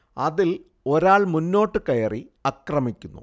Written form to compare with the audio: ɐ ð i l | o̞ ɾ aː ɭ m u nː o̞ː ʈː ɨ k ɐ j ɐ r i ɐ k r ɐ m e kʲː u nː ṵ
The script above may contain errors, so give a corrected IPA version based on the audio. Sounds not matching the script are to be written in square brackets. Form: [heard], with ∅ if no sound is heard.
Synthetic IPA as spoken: ɐ ð i l | o̞ ɾ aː ɭ m u nː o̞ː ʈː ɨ k ɐ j ɐ r i ɐ k r ɐ m [i] kʲː u nː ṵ